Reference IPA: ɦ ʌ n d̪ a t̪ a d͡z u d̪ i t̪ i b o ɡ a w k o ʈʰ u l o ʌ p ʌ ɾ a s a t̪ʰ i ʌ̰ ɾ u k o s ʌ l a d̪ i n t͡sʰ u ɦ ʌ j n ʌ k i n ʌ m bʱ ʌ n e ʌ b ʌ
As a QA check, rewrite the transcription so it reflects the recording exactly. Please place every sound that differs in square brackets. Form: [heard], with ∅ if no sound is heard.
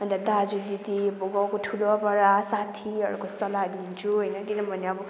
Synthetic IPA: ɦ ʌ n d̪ a [d̪] a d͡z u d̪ i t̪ i b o ɡ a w k o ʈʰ u l o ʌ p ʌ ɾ a s a t̪ʰ i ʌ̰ ɾ u k o s ʌ l a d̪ i n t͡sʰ u ɦ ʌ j n ʌ k i n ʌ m bʱ ʌ n e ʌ b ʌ